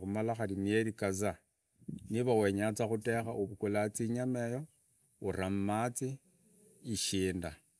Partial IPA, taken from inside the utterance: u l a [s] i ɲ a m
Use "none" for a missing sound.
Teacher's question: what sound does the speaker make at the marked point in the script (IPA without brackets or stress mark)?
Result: t͡s